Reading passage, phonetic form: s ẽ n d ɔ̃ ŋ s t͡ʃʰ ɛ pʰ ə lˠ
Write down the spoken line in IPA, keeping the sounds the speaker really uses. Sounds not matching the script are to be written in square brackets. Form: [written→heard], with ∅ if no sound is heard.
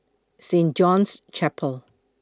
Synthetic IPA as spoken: s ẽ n [d→d͡ʒ] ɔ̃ [ŋ→n] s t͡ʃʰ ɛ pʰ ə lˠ